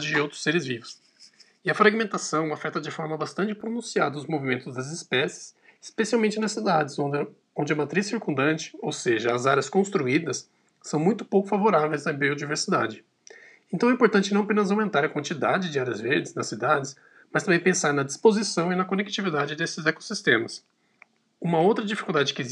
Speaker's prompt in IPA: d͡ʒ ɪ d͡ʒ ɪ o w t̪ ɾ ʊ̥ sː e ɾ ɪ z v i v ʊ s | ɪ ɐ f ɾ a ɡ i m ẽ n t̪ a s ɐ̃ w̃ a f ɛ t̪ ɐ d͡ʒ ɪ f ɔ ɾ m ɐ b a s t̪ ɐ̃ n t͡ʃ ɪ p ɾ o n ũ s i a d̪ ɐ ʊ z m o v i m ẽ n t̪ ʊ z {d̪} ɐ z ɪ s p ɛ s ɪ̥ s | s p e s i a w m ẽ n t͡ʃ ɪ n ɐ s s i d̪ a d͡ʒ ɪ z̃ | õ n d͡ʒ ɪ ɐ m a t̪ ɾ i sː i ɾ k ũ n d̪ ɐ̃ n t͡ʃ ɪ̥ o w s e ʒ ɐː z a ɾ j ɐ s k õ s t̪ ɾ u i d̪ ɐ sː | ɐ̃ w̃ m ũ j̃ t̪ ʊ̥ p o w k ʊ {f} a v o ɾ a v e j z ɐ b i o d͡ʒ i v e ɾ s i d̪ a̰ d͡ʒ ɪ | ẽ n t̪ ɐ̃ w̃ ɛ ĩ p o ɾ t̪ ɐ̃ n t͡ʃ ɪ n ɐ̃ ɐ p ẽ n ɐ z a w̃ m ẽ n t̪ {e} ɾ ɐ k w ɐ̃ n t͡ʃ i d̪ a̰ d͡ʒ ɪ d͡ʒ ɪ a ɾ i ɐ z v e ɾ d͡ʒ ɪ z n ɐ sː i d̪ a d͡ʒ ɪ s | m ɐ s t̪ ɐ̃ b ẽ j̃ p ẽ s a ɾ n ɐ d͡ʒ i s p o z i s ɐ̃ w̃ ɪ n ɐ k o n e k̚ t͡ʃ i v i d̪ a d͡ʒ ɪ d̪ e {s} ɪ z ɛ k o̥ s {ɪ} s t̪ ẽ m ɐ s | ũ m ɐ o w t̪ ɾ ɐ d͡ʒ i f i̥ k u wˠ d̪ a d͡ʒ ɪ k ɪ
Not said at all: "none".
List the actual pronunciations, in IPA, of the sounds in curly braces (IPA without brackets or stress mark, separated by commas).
d̪, f, a, s, i